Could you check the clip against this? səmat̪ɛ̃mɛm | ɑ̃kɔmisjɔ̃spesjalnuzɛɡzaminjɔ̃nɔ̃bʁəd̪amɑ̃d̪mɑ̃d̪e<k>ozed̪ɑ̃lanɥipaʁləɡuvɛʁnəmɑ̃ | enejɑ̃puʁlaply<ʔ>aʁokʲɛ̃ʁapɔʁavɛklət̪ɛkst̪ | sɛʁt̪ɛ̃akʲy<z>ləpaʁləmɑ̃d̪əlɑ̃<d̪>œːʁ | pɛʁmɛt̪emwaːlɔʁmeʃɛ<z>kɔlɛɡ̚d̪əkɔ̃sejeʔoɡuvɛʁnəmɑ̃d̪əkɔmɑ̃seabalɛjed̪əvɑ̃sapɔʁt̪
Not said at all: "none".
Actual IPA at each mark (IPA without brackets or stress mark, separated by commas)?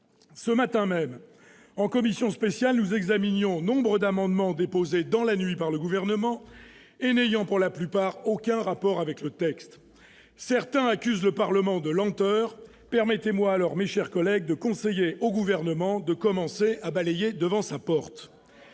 p, p, z, t̪, ʁ